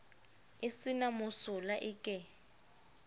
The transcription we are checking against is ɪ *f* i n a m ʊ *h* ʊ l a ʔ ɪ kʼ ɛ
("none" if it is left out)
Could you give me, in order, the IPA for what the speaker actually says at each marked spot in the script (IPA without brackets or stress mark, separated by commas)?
s, s